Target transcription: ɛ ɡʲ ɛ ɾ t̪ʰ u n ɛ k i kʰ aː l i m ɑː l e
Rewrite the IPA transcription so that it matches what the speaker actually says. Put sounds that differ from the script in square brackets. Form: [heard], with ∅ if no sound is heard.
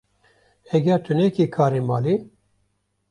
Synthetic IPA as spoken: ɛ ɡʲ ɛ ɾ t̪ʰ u n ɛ k i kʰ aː [ɾ] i m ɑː l [i]